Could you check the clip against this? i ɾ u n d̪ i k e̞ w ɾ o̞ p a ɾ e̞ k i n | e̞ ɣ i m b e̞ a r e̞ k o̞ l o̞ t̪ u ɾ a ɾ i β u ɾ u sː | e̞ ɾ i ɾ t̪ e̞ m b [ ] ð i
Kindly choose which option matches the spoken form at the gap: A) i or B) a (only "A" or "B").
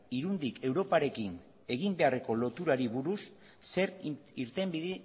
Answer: A